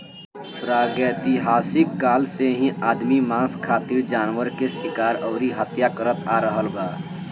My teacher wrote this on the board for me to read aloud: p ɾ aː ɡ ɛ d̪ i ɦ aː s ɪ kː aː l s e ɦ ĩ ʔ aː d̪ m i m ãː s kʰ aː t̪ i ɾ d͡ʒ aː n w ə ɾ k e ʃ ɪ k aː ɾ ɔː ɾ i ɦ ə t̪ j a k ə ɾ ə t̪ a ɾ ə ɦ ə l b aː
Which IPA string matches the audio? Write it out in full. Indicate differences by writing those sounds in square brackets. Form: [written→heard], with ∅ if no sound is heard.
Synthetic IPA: p ɾ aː ɡ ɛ [d̪→t̪] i ɦ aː s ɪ kː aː l s e ɦ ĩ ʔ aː d̪ m i m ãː s kʰ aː t̪ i ɾ d͡ʒ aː n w ə ɾ k e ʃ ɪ k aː ɾ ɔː ɾ i ɦ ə t̪ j a k ə ɾ ə t̪ a ɾ ə ɦ ə l b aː